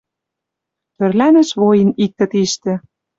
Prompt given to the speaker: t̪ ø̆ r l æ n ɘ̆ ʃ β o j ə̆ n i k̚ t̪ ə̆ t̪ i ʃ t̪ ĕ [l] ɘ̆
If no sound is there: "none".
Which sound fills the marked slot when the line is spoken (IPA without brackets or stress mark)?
none